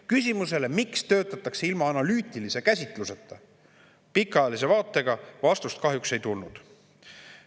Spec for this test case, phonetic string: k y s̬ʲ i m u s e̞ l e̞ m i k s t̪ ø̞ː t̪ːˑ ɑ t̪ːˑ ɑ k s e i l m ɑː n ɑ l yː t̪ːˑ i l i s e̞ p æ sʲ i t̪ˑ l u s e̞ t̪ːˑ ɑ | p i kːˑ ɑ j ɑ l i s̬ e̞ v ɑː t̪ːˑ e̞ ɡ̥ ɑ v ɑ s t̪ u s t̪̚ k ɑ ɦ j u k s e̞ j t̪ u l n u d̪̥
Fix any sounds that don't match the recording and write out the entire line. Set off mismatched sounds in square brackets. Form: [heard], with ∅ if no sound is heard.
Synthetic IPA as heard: k y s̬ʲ i m u s e̞ l e̞ m i k s t̪ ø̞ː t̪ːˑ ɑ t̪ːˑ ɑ k s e i l m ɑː n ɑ l yː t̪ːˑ i l i s e̞ [k] æ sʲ i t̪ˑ l u s e̞ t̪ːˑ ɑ | p i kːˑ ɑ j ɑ l i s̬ e̞ v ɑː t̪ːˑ e̞ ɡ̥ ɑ v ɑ s t̪ u s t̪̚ k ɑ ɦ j u k s e̞ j t̪ u l n u d̪̥